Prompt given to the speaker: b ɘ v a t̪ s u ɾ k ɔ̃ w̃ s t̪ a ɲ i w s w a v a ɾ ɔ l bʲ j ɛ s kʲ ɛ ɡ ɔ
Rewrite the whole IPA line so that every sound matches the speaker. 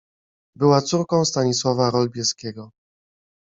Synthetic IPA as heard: b ɘ w a t̪ s u ɾ k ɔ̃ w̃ s t̪ a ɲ i s w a v a ɾ ɔ l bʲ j ɛ s kʲ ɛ ɡ ɔ

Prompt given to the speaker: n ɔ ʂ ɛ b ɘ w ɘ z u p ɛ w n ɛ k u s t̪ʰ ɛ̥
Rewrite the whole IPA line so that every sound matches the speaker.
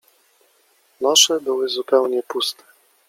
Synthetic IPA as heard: n ɔ ʂ ɛ b ɘ w ɘ z u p ɛ w ɲ ɛ p u s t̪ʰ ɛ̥

